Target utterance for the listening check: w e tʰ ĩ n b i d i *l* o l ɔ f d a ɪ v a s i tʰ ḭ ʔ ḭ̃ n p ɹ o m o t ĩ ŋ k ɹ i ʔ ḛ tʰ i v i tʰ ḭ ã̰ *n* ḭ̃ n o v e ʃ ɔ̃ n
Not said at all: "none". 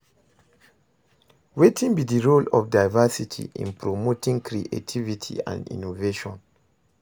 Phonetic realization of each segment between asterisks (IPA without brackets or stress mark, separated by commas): ɹ, n